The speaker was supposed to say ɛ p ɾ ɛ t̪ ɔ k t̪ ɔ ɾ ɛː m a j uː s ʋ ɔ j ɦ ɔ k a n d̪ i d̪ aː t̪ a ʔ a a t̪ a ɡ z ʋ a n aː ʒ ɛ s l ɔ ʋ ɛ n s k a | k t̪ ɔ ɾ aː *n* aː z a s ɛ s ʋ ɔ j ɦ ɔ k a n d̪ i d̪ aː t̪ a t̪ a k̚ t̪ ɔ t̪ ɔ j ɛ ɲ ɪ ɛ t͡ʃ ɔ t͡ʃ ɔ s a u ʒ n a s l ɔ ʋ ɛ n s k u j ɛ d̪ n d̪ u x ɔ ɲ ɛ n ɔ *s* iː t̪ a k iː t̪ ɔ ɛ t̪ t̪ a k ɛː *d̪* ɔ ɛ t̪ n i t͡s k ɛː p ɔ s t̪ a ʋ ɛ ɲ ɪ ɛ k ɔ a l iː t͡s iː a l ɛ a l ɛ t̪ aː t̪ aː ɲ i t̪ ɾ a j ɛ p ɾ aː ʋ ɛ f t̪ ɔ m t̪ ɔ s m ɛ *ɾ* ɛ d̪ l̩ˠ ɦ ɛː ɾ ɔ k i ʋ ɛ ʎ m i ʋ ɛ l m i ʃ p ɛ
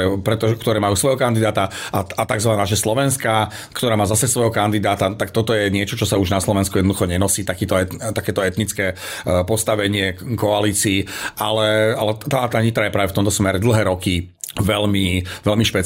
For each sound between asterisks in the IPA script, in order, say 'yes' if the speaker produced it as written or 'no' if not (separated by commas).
no, yes, no, yes